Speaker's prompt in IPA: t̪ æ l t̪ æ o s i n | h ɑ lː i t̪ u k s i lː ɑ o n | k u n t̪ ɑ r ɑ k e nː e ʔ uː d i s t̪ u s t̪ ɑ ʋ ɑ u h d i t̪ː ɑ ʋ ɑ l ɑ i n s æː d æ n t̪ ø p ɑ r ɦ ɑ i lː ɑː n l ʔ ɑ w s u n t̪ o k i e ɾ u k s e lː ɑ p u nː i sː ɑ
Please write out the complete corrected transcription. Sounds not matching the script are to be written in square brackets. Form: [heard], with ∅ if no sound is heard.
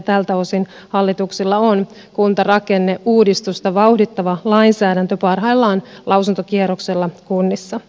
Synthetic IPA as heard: t̪ æ l t̪ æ o s i n | h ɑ lː i t̪ u k s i lː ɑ o n | k u n t̪ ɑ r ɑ k e nː e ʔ uː d i s t̪ u s t̪ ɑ ʋ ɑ u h d i t̪ː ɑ ʋ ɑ l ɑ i n s æː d æ n t̪ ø p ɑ r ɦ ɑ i lː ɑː n l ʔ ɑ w s u n t̪ o k i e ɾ [o] k s e lː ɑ [k] u nː i sː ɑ